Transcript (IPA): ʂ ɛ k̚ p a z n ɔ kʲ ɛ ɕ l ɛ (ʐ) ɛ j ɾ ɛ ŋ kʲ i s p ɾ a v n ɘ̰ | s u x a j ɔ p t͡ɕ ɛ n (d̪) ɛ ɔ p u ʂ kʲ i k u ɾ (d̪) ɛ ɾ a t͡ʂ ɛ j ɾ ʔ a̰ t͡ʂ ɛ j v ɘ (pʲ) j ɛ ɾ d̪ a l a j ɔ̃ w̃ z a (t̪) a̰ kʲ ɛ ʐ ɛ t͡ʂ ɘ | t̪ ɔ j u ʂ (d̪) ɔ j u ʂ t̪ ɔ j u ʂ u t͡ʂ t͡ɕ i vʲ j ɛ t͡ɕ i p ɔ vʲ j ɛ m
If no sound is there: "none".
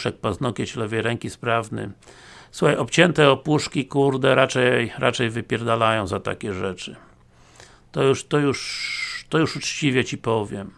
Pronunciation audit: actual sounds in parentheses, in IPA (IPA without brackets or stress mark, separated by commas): v, t̪, d̪, pʲ, t̪, t̪